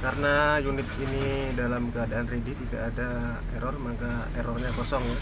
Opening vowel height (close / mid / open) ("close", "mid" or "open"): open